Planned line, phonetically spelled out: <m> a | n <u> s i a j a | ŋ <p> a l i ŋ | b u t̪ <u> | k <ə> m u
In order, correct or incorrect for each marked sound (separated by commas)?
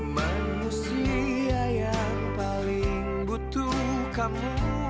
correct, correct, correct, correct, incorrect